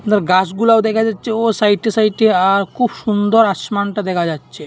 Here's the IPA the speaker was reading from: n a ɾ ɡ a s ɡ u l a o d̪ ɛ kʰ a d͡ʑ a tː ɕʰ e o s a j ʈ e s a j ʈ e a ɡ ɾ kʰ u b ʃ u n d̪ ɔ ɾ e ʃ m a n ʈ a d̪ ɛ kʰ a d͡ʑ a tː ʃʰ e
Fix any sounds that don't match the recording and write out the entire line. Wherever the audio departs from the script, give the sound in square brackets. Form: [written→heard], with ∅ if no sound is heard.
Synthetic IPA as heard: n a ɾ ɡ a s ɡ u l a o d̪ ɛ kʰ a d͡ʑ a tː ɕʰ e o s a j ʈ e s a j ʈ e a [ɡ→∅] ɾ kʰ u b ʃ u n d̪ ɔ ɾ [e→a] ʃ m a n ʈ a d̪ ɛ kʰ a d͡ʑ a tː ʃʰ e